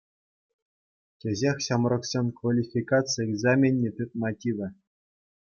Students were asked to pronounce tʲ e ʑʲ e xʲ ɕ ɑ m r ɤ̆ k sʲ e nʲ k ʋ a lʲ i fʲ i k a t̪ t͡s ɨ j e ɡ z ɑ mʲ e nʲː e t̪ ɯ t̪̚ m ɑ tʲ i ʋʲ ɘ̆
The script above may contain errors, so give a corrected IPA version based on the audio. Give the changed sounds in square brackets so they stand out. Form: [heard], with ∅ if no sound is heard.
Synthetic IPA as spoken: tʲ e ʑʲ e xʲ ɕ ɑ m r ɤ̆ k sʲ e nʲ k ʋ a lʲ i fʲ i k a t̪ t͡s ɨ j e ɡ z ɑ mʲ e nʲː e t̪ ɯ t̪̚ m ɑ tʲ i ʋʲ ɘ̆